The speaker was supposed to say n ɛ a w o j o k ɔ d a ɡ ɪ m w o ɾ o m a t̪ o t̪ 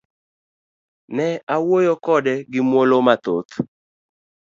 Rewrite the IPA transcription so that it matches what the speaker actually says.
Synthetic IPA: n ɛ a w o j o k ɔ d ɛ ɡ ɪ m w o l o m a t̪ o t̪